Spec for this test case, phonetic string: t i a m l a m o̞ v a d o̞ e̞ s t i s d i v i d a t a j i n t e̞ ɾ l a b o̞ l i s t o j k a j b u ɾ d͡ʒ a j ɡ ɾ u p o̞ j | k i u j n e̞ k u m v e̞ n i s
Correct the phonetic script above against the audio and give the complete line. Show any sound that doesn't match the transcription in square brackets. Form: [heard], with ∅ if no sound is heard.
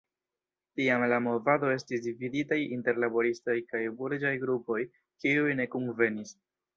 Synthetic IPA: t i a m l a m o̞ v a d o̞ e̞ s t i s d i v i d [i] t a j i n t e̞ ɾ l a b o̞ [ɾ] i s t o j k a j b u ɾ d͡ʒ a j ɡ ɾ u p o̞ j | k i u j n e̞ k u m v e̞ n i s

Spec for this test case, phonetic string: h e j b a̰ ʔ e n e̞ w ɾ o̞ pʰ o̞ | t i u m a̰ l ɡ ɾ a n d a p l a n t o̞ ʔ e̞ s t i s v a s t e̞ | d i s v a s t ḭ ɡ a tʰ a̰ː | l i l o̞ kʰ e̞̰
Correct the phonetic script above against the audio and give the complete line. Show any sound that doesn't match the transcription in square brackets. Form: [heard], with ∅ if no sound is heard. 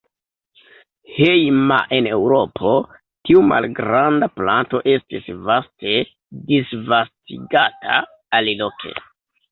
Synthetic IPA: h e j [m] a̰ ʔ e n e̞ w ɾ o̞ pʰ o̞ | t i u m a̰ l ɡ ɾ a n d a p l a n t o̞ ʔ e̞ s t i s v a s t e̞ | d i s v a s t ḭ ɡ a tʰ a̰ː | l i l o̞ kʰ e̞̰

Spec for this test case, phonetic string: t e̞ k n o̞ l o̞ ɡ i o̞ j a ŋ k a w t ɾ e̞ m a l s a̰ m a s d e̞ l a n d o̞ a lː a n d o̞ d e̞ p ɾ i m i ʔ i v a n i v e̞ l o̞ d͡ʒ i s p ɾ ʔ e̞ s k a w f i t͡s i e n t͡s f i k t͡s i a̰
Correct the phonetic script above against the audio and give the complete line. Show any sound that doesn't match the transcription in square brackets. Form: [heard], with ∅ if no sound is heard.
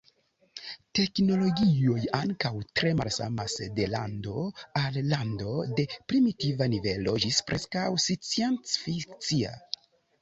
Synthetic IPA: t e̞ k n o̞ l o̞ ɡ i o̞ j a ŋ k a w t ɾ e̞ m a l s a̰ m a s d e̞ l a n d o̞ a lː a n d o̞ d e̞ p ɾ i m i [t] i v a n i v e̞ l o̞ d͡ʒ i s p ɾ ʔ e̞ s k a w [s] i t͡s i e n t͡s f i k t͡s i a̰

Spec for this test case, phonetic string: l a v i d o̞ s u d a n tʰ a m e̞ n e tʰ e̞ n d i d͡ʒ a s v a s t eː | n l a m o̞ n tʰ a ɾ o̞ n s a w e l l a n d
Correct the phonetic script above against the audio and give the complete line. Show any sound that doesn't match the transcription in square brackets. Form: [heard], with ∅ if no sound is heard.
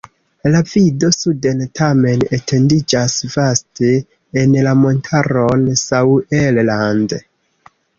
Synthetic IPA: l a v i d o̞ s u d [e] n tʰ a m e̞ n e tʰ e̞ n d i d͡ʒ a s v a s t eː | n l a m o̞ n tʰ a ɾ o̞ n s a w e l l a n d

